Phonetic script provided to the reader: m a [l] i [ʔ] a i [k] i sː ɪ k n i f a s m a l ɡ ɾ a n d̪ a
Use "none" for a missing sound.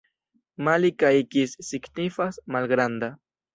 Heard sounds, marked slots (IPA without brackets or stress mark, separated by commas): l, k, k